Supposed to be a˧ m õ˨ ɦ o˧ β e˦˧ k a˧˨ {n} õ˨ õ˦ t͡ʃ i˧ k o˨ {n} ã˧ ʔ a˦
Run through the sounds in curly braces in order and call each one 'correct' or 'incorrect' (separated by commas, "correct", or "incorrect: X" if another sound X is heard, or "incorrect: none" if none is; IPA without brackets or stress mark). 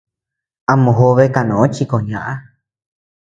correct, incorrect: ɲ